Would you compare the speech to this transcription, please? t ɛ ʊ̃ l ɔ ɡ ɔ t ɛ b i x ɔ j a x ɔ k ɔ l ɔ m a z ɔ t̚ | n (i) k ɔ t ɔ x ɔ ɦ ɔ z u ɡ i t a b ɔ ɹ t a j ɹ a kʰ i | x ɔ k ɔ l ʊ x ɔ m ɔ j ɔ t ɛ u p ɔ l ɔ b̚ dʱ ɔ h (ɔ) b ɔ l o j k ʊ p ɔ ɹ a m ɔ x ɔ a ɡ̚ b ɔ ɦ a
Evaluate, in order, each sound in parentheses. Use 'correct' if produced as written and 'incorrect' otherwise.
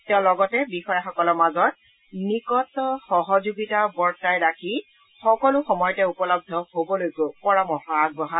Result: correct, incorrect: o

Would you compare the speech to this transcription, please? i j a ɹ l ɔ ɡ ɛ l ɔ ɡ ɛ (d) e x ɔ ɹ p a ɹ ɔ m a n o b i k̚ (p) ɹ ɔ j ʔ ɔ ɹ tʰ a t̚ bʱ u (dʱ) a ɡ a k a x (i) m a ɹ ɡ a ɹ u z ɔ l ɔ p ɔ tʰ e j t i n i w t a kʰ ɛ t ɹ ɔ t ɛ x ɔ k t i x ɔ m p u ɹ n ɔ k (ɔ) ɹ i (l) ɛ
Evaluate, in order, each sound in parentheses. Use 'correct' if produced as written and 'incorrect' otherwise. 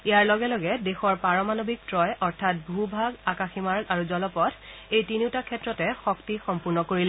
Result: correct, incorrect: t, incorrect: bʱ, correct, incorrect: o, correct

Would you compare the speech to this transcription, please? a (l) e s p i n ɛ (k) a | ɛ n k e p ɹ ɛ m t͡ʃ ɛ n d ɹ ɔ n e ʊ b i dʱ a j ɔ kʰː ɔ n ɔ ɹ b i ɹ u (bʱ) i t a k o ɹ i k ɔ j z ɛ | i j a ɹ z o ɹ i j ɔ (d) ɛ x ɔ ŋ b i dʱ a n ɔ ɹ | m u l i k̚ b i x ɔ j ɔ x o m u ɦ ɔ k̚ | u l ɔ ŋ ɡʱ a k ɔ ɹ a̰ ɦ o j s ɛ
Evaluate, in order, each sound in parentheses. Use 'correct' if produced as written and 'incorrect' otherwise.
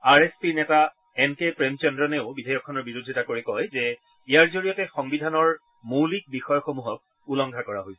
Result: incorrect: ɹ, incorrect: t, incorrect: dʱ, incorrect: t

